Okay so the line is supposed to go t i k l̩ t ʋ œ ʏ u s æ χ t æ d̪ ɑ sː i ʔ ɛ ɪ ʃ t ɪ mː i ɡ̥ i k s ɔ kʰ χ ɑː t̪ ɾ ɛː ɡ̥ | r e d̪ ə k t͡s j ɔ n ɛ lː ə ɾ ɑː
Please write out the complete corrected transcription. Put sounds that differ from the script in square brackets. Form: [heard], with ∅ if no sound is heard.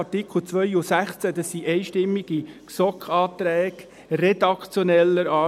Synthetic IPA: t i k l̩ [t͡s] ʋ œ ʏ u s æ χ [t͡s] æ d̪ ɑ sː i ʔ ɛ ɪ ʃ t ɪ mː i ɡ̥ i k s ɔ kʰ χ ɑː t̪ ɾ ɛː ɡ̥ | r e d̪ [ɑ] k t͡s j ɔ n ɛ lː ə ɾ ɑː